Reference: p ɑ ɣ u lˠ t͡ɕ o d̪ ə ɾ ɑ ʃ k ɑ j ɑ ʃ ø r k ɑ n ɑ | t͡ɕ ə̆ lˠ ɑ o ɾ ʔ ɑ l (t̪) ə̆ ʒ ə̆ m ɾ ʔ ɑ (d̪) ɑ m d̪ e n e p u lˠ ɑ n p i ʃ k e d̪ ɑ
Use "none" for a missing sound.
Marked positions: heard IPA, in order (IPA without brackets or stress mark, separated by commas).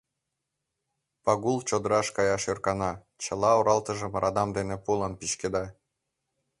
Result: t̪, d̪